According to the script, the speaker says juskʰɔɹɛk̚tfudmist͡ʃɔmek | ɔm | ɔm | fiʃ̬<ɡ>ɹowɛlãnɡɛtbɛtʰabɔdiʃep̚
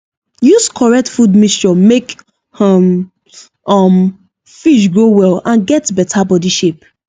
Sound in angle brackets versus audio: correct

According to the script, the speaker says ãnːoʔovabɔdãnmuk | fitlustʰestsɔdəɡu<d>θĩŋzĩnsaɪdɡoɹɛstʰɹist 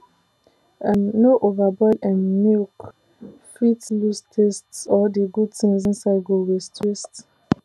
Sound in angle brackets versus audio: correct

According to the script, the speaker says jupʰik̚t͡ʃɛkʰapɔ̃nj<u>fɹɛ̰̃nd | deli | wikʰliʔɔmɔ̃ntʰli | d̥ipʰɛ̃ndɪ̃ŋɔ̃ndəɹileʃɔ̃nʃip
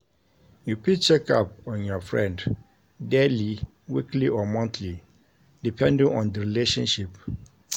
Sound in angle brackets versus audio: incorrect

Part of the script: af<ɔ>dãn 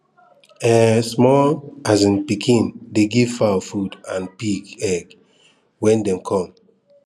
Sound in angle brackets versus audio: incorrect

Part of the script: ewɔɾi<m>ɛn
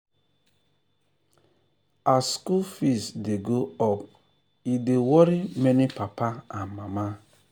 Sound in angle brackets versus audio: correct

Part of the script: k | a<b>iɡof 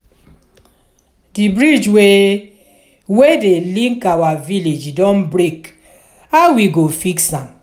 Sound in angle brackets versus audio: incorrect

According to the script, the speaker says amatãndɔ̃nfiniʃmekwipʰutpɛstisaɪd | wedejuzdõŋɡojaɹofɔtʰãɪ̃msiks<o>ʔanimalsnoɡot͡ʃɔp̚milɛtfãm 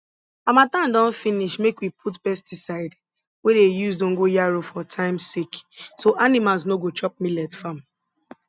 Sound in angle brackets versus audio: correct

